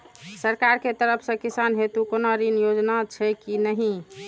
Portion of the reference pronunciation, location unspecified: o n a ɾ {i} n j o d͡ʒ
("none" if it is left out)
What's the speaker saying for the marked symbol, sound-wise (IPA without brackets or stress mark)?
i